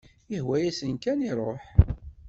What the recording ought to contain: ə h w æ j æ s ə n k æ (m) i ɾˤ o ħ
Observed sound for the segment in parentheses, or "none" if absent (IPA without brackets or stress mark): n